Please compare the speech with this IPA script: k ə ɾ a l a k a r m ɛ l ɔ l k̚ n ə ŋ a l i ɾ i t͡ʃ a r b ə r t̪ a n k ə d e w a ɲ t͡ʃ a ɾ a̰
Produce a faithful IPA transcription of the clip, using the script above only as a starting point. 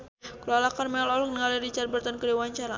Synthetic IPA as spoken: k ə l a l a k a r m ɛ l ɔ l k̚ n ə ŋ a l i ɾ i t͡ʃ a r b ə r t̪ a n k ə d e w a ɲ t͡ʃ a ɾ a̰